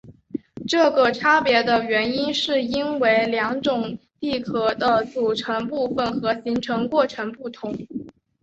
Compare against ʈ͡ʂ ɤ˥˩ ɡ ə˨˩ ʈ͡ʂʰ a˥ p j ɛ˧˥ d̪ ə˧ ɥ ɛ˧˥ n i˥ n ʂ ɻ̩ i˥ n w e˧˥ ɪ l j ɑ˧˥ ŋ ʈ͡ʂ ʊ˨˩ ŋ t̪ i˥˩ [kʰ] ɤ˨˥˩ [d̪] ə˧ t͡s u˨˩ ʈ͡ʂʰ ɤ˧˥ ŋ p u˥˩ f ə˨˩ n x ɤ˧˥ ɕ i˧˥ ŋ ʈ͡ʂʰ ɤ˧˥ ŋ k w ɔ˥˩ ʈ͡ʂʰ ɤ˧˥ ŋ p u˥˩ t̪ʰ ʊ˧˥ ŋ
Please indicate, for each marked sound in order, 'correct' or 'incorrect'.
correct, correct

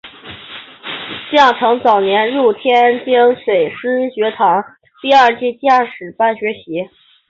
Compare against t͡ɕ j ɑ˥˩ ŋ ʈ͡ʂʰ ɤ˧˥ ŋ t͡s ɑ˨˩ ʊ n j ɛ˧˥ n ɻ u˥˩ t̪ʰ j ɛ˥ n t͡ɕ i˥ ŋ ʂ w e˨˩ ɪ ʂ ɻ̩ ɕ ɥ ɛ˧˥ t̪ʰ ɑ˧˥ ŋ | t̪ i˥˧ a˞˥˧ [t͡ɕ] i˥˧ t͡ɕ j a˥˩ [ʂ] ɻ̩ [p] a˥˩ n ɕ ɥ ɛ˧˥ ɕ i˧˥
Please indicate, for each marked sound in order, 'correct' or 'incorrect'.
correct, correct, correct

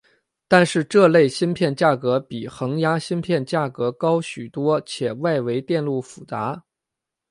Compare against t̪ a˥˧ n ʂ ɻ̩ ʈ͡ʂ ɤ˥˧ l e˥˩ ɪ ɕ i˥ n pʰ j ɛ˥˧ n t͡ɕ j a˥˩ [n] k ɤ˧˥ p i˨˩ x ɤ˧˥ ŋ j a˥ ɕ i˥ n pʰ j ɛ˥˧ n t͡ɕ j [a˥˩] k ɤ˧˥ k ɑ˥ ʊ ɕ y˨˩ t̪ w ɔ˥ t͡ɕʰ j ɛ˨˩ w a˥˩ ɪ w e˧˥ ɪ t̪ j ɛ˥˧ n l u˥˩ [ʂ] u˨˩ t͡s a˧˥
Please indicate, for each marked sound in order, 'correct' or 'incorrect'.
incorrect: none, correct, incorrect: f

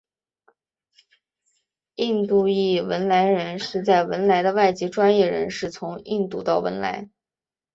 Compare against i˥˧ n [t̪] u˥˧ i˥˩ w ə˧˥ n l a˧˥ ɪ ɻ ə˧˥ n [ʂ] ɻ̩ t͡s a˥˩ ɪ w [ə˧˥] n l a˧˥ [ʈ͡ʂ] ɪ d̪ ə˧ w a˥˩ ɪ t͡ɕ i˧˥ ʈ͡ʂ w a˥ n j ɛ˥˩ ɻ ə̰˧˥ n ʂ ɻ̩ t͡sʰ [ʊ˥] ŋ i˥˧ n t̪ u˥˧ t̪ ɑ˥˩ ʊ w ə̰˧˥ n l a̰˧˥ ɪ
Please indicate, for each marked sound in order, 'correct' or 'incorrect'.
correct, correct, correct, incorrect: none, incorrect: ʊ˧˥

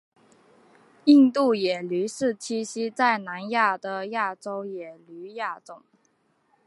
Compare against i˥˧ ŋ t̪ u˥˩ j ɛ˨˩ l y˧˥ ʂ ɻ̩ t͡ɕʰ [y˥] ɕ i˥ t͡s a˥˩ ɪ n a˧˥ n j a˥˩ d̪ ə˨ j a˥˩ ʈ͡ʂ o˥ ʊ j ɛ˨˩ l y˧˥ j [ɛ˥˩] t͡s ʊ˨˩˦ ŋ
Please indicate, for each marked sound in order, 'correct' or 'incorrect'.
incorrect: i˥, incorrect: a˥˩

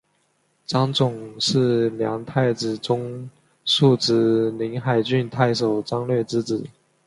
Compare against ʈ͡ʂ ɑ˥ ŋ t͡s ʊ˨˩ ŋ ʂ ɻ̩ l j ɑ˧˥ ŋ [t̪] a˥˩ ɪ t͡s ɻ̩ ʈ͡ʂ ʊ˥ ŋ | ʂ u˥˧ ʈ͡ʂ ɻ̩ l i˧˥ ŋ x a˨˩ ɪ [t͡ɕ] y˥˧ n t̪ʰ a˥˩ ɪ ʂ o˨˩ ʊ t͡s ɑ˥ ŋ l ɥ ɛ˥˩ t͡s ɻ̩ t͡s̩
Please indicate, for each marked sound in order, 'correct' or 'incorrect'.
incorrect: t̪ʰ, correct

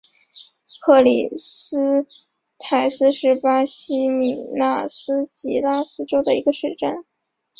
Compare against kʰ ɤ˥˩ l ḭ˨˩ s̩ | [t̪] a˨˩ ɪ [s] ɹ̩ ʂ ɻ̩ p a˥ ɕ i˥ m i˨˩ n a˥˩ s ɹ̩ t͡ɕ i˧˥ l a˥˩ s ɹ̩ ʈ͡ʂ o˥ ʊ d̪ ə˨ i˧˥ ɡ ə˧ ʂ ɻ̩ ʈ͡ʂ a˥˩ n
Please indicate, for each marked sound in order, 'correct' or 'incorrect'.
incorrect: t̪ʰ, correct

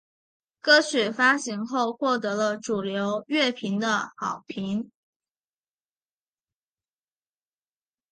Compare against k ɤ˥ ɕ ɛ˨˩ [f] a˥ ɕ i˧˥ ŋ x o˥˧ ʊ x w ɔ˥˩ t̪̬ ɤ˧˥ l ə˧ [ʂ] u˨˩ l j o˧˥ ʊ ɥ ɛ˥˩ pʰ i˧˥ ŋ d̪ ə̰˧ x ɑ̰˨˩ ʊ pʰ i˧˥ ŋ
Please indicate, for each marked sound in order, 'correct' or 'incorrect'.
correct, incorrect: ʈ͡ʂ

